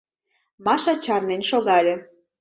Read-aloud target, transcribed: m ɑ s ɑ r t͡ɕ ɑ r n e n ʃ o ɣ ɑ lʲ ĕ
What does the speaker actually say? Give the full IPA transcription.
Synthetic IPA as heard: m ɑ ʃ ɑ t͡ɕ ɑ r n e n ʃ o ɣ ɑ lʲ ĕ